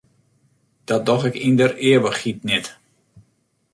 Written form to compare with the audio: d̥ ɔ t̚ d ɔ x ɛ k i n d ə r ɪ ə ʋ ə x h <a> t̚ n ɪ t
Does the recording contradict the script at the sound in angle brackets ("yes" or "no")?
yes